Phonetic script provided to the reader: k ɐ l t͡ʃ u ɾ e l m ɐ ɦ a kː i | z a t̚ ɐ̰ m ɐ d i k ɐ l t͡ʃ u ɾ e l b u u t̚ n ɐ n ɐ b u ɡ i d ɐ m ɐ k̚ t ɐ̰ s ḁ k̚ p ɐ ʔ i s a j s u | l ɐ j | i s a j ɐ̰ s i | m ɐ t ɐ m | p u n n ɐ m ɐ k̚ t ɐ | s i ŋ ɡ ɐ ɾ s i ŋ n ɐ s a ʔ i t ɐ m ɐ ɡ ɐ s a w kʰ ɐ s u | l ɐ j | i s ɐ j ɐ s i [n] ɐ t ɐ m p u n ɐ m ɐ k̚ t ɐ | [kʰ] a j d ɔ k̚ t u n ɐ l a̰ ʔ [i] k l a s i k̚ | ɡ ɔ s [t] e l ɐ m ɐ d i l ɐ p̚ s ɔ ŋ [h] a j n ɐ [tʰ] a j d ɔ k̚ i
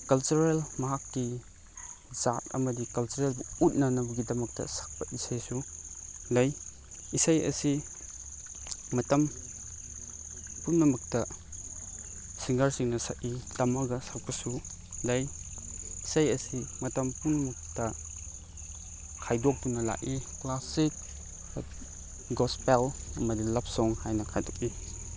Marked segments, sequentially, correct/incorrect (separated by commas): incorrect, correct, correct, incorrect, correct, incorrect